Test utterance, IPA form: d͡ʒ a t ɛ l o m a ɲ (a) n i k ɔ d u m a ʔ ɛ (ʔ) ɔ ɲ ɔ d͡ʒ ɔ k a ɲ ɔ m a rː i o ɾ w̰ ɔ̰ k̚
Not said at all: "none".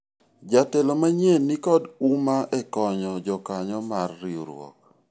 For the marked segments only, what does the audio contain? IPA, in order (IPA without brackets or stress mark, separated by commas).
e, k